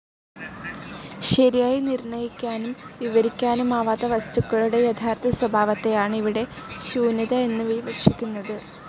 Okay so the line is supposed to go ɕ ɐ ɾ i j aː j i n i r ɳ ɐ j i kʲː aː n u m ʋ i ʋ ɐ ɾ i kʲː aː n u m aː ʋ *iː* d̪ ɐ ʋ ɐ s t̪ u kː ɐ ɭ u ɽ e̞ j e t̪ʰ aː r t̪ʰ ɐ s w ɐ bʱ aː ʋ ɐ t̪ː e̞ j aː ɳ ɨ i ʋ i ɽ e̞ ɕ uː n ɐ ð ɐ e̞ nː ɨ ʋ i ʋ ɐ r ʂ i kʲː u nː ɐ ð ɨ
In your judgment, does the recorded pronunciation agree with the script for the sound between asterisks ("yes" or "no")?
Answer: no